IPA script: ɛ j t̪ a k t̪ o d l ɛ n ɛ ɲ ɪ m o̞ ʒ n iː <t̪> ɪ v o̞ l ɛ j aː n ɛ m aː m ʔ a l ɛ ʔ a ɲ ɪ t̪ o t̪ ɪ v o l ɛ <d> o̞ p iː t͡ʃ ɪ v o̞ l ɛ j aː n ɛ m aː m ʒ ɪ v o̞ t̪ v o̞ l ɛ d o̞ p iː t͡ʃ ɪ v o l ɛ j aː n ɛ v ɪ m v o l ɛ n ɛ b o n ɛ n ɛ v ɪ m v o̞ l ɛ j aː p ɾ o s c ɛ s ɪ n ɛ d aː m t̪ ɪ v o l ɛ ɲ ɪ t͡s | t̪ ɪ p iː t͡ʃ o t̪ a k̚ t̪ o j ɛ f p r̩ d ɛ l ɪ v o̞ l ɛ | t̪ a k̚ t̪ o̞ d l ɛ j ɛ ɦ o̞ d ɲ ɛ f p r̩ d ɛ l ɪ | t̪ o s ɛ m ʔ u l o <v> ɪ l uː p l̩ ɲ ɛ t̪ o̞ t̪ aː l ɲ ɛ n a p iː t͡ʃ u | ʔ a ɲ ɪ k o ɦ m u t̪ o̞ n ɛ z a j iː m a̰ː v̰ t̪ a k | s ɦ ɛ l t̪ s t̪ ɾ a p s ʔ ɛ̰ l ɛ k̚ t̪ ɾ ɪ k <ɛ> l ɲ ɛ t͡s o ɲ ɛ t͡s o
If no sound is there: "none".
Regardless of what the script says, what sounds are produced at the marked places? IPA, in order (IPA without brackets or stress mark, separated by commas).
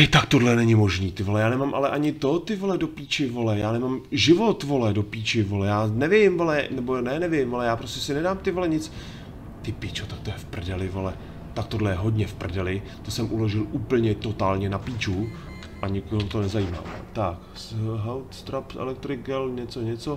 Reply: t̪, d, ʒ, ɛ